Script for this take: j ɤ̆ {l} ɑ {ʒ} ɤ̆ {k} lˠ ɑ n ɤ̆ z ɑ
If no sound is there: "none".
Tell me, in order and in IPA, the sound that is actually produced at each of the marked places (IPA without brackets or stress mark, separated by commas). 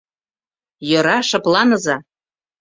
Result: ɾ, ʃ, p